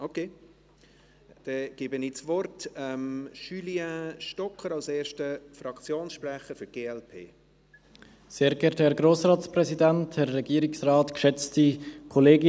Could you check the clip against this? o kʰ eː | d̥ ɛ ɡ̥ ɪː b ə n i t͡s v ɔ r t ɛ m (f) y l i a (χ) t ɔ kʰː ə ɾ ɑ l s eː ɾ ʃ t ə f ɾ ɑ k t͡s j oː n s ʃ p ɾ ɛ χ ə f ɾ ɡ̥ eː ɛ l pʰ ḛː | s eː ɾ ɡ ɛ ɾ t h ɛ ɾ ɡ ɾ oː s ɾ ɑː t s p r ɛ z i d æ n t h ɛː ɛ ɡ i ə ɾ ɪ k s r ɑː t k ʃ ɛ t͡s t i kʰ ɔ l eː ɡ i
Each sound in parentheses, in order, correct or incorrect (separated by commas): incorrect, incorrect